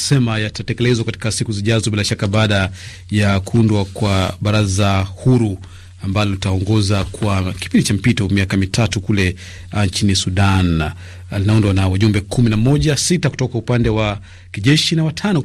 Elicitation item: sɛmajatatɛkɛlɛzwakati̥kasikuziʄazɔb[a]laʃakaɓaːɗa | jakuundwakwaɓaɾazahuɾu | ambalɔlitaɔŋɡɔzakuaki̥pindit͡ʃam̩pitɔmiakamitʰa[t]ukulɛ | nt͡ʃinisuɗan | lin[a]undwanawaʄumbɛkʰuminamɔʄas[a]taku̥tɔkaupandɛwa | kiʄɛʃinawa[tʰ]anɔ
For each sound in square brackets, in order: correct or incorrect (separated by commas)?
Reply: incorrect, correct, correct, incorrect, correct